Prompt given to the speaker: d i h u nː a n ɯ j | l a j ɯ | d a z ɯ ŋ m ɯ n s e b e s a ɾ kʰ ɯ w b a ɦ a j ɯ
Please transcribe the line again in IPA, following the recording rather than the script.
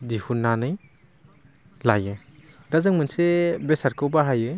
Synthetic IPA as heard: d i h u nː a n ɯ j | l a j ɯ | d a z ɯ ŋ m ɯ n s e b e s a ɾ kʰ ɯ w b a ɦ a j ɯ

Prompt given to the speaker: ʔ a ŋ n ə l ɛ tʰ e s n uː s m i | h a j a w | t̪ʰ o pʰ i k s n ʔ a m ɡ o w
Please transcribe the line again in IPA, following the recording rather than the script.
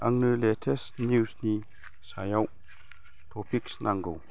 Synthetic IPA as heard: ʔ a ŋ n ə l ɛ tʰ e s n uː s n i | s a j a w | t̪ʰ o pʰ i k s n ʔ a ŋ ɡ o w

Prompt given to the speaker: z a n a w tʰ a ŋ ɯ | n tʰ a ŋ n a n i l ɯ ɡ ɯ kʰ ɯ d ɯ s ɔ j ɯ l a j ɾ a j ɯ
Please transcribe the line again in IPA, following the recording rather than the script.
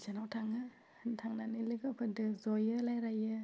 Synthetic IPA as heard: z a n a w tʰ a ŋ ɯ | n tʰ a ŋ n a n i l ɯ ɡ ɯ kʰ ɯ d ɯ z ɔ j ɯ l a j ɾ a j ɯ

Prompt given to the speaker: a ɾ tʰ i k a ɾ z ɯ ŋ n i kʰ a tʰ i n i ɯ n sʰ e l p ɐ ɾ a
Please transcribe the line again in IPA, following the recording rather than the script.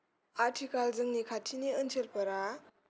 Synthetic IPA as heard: a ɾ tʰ i k a l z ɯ ŋ n i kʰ a tʰ i n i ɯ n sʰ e l p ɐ ɾ a

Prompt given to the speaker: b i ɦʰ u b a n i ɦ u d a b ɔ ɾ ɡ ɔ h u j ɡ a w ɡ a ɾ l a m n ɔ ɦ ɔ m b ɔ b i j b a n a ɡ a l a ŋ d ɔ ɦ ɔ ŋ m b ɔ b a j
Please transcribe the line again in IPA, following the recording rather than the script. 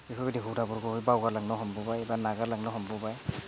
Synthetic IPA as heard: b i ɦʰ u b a d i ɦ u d a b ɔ ɾ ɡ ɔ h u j b a w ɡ a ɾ l a ŋ n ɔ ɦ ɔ m b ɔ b a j b a n a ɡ a l a ŋ n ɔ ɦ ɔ m b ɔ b a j

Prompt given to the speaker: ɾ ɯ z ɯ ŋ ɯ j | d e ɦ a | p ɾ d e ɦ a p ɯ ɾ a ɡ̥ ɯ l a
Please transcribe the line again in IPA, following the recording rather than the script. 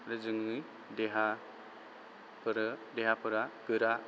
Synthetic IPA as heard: ɾ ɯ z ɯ ŋ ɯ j | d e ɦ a | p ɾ d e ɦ a p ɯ ɾ a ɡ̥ ɯ ɾ a

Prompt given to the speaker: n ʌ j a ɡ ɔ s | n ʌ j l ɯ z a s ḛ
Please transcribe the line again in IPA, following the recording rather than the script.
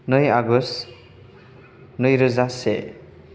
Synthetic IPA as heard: n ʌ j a ɡ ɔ s | n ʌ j ɾ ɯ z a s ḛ

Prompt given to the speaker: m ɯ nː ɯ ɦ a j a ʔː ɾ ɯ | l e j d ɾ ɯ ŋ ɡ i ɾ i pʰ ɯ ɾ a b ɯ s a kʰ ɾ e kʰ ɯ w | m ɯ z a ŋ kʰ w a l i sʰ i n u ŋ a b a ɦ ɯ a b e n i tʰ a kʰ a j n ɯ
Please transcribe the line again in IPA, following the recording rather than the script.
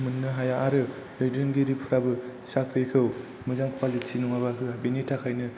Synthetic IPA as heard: m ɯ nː ɯ ɦ a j a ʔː ɾ ɯ | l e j d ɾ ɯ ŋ ɡ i ɾ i pʰ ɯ ɾ a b ɯ s a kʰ ɾ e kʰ ɯ w | m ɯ z a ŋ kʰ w a l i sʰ i n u ŋ a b a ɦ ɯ a b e n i tʰ a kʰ a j n ɯ

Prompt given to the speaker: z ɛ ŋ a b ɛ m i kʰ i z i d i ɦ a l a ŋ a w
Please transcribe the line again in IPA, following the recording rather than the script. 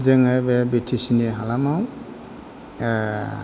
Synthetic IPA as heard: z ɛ ŋ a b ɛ b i tʰ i s i n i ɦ a l a m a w

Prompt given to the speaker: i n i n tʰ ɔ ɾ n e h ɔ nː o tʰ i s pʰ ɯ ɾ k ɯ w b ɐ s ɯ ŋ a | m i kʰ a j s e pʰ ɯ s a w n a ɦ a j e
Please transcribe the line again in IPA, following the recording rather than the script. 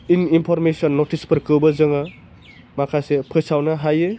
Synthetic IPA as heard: i n i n pʰ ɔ ɾ m e s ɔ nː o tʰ i s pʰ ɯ ɾ k ɯ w b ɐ z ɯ ŋ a | m a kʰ a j s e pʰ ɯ s a w n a ɦ a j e

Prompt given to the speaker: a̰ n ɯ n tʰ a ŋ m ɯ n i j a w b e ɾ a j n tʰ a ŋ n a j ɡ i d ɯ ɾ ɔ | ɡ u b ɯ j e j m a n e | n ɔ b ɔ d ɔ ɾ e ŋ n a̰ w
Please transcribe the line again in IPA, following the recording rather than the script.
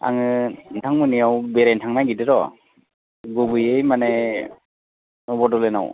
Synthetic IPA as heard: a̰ ŋ ɯ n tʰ a ŋ m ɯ n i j a w b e ɾ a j n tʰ a ŋ n a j ɡ i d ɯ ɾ ɔ | ɡ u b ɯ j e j m a n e | n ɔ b ɔ d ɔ l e n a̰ w

